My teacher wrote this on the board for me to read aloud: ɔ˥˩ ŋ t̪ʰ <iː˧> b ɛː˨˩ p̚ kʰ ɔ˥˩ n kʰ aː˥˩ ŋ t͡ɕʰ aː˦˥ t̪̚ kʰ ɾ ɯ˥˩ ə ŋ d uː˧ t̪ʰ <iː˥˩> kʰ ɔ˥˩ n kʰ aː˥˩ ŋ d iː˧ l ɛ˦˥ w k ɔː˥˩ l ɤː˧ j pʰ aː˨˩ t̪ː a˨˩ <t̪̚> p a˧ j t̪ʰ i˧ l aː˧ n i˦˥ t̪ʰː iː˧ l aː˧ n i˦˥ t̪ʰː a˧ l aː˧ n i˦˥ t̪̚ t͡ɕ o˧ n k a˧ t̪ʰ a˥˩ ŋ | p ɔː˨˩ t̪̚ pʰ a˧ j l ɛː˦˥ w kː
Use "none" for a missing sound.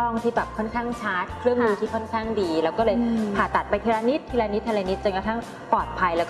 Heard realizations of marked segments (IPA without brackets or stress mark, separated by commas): iː˥˩, iː˥˩, t̪̚